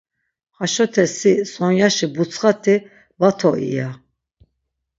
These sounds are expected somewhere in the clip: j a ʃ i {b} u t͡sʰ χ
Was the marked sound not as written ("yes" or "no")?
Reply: no